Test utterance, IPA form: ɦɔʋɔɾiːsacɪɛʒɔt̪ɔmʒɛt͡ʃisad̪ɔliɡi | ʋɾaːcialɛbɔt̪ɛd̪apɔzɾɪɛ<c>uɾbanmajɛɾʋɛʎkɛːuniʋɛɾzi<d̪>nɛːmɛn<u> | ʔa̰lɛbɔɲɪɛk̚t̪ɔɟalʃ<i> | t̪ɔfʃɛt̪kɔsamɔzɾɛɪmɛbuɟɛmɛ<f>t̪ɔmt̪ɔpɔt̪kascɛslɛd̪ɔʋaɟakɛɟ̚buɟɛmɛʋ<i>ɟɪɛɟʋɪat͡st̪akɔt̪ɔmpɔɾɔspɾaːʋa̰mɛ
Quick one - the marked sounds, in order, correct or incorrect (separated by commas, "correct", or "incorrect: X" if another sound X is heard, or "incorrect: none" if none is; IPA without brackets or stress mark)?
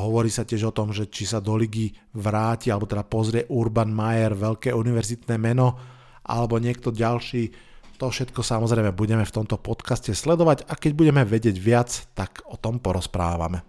incorrect: ʔ, incorrect: t̪, incorrect: ɔ, incorrect: iː, correct, incorrect: ɛ